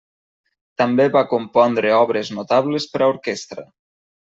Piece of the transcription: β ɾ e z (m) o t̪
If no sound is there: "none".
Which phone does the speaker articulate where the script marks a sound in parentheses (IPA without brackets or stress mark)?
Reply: n